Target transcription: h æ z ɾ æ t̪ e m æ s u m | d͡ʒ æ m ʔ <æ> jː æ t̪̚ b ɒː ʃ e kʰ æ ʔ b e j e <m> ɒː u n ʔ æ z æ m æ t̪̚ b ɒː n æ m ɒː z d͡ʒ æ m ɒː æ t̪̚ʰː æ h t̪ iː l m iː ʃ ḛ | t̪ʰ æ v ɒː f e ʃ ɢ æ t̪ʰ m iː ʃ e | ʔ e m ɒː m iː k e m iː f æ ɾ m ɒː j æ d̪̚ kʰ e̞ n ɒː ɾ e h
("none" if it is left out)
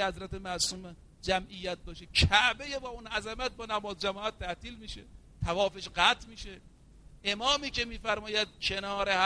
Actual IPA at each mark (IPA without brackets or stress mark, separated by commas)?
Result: i, b